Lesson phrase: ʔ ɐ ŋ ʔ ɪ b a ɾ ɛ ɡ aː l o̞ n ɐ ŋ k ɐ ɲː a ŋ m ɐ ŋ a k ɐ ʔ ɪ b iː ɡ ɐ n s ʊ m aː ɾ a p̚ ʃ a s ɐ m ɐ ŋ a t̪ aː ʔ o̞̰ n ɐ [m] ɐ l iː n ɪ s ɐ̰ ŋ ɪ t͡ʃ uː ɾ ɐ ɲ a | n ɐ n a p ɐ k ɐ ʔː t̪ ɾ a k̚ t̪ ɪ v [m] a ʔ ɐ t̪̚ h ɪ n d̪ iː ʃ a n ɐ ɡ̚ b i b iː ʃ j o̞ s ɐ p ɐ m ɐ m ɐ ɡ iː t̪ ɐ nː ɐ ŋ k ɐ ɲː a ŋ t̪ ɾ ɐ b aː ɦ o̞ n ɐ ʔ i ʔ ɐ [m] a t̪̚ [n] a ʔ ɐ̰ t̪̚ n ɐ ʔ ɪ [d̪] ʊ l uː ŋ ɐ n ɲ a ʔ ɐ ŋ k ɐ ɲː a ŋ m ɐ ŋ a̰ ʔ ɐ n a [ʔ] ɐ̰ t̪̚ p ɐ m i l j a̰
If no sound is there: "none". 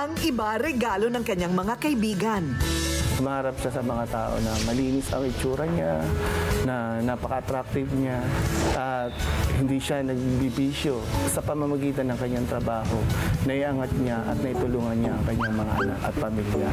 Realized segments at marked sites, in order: m, ɲ, ŋ, ɲ, t̪, k

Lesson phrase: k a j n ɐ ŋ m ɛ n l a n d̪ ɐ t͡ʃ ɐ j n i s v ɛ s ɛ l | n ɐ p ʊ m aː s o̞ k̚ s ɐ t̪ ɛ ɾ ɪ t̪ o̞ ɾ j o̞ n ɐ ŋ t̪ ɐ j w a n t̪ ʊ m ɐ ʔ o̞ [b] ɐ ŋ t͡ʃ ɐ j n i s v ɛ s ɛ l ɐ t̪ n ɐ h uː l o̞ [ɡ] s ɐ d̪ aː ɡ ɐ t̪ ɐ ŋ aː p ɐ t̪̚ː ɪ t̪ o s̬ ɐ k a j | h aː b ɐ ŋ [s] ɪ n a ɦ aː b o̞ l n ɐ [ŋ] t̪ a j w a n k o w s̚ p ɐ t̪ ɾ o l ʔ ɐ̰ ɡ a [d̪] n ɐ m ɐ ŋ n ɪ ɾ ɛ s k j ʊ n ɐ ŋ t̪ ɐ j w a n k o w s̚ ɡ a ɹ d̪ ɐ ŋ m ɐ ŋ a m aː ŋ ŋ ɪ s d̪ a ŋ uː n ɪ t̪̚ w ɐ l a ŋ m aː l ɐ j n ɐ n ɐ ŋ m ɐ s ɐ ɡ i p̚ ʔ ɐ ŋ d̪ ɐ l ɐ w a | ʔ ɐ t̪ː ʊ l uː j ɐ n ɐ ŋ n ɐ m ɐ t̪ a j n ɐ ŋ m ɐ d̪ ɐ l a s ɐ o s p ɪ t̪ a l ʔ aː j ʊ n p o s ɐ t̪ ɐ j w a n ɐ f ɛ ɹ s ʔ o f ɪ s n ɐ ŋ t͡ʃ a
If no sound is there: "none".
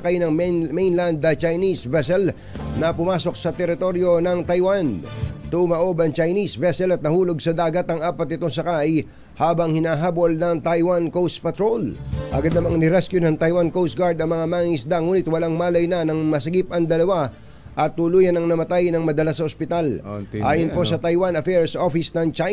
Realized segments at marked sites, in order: b, ɡ, h, ŋ, d̪

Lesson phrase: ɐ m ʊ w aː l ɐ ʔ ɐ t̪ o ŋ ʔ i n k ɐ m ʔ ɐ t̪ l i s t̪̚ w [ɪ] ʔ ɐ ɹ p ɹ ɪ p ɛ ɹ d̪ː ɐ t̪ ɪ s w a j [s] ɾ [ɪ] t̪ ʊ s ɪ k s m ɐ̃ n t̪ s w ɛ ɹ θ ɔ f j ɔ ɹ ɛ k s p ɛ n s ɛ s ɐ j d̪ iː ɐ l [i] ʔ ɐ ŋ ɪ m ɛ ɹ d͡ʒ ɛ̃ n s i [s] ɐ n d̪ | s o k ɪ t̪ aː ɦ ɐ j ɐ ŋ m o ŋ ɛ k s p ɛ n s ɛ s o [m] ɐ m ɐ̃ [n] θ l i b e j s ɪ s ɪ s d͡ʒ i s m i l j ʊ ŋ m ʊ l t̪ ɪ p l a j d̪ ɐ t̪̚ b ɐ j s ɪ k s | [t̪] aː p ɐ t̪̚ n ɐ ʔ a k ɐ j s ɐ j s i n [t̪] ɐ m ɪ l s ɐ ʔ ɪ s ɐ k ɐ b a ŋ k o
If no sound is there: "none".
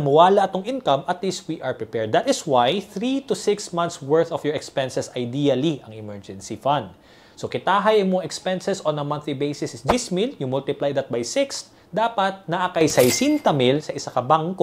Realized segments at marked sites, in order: i, θ, i, i, f, n, n, d̪, t̪

